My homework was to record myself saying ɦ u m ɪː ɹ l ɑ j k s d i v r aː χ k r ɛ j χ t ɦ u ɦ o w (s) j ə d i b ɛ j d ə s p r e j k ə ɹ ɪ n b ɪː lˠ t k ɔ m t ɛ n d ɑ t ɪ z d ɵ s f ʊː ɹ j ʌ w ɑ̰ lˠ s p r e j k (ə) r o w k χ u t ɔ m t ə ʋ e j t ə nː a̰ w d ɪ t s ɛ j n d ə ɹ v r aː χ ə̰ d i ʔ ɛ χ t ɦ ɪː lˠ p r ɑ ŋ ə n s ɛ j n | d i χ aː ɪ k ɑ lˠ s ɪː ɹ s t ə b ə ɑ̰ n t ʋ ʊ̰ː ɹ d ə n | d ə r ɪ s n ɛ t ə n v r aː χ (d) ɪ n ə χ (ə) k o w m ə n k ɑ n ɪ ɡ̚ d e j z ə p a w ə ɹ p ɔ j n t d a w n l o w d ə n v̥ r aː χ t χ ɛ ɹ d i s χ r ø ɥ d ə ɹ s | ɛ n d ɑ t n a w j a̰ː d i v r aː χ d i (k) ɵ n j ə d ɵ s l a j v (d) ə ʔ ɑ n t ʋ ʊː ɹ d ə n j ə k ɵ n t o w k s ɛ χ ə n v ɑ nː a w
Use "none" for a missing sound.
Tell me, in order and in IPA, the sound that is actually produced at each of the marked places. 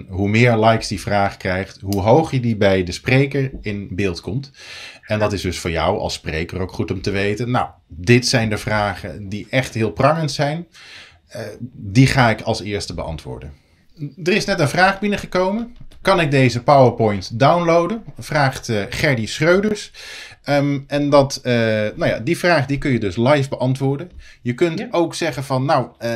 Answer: χ, ə, b, ə, k, b

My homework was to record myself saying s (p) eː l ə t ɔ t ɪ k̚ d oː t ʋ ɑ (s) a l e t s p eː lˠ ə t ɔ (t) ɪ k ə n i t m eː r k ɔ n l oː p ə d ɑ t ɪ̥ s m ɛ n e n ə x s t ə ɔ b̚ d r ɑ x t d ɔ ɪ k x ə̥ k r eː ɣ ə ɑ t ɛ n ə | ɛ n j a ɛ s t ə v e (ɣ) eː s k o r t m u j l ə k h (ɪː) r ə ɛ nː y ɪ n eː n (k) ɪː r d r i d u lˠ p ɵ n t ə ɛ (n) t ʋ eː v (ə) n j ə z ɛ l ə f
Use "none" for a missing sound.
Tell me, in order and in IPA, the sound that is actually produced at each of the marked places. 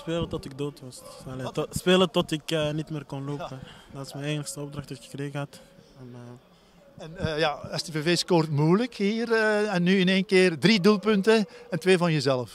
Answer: p, s, t, v, iː, k, n, ɑ

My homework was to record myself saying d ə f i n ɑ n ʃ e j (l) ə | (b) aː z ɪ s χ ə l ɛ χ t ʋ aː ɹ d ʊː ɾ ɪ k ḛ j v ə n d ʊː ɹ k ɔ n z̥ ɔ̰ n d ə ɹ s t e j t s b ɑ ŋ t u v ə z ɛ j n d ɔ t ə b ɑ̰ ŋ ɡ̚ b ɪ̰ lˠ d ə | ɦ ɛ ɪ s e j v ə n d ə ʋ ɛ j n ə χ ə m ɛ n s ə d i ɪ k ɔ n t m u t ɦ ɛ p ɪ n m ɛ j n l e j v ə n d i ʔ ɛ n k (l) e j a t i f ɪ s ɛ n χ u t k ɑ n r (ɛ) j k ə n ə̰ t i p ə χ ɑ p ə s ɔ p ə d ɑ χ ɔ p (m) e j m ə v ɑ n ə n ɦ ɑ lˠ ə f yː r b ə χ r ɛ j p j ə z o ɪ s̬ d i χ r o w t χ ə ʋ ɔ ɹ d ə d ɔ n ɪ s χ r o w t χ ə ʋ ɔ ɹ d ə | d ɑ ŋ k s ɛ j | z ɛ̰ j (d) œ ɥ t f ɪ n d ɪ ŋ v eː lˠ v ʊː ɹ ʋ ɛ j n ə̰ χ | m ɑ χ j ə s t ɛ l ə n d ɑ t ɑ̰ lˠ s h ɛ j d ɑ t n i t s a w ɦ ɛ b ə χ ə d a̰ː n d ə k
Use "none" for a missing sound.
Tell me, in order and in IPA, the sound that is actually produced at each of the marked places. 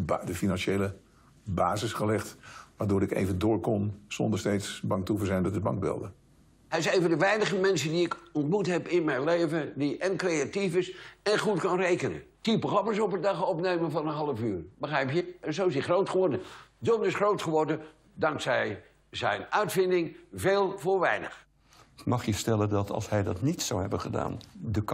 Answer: l, b, r, e, n, n

